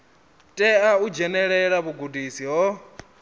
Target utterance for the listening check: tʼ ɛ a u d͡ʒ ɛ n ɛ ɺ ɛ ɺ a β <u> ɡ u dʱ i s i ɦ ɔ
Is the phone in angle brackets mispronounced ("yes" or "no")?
no